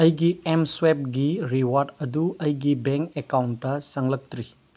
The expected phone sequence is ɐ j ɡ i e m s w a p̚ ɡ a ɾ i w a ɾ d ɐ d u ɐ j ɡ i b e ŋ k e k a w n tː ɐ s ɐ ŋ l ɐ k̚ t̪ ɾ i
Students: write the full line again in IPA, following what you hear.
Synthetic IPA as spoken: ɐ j ɡ i e m s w e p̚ ɡ i ɾ i w a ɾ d ɐ d u ɐ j ɡ i b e ŋ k e k a w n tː ɐ s ɐ ŋ l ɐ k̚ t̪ ɾ i